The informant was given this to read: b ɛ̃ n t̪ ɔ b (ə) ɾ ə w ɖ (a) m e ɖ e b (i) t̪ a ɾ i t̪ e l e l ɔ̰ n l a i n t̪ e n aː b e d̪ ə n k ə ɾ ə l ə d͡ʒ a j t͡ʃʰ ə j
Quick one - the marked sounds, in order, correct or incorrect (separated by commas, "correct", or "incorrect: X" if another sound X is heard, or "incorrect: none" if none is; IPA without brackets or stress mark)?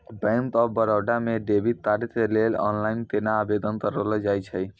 correct, correct, correct